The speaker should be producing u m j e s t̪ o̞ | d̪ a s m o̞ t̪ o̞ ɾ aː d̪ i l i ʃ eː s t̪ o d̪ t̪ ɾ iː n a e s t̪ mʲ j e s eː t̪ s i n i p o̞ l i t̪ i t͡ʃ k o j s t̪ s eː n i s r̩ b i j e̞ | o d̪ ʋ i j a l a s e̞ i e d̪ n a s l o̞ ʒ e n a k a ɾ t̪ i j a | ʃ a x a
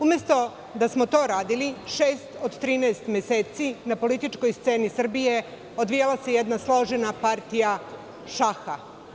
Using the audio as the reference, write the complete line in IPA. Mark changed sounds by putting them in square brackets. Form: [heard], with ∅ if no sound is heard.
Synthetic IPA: u m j e s t̪ o̞ | d̪ a s m o̞ t̪ o̞ ɾ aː d̪ i l i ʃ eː s t̪ o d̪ t̪ ɾ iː n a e s t̪ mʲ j e s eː t̪ s i n [a] p o̞ l i t̪ i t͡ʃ k o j s t̪ s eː n i s r̩ b i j e̞ | o d̪ ʋ i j a l a s e̞ [j] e d̪ n a s l o̞ ʒ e n a [p] a ɾ t̪ i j a | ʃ a x a